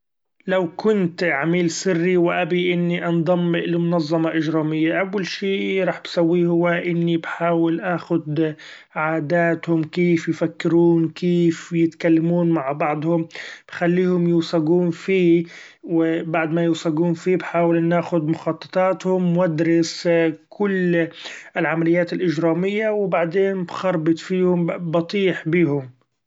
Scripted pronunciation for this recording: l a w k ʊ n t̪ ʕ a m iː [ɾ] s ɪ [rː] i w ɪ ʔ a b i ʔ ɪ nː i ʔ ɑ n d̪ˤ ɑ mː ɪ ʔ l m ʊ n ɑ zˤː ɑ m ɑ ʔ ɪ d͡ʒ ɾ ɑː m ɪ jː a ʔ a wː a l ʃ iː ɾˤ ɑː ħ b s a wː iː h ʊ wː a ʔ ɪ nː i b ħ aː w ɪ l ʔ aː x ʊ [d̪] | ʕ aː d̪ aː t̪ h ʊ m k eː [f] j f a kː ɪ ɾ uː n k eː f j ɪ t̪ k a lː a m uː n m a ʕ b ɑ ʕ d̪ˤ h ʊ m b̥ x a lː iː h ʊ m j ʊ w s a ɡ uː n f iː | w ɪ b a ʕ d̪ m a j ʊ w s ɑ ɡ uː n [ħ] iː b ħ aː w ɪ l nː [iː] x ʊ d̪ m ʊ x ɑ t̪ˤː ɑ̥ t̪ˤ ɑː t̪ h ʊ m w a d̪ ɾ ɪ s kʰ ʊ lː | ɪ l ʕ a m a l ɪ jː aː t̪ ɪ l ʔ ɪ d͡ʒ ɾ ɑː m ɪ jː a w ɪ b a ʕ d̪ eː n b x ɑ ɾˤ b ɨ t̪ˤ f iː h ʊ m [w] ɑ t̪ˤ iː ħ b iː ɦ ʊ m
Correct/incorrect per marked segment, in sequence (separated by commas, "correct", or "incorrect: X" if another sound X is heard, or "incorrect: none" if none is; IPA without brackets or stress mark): incorrect: l, correct, correct, correct, incorrect: f, incorrect: aː, incorrect: b